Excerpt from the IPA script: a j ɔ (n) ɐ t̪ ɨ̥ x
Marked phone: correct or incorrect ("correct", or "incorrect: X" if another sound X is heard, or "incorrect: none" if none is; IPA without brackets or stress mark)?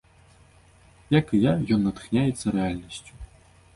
incorrect: nː